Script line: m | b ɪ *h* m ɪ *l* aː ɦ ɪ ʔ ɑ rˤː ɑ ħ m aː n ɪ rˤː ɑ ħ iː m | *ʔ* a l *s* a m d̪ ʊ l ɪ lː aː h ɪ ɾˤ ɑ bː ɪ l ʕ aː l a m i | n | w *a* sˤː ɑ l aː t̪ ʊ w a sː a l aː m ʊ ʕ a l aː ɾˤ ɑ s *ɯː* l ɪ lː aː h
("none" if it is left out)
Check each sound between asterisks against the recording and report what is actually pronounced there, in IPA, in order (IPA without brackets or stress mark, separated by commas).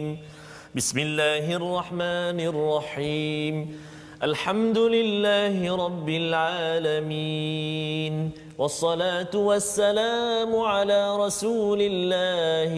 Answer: s, lː, ʔ, ħ, ɑ, uː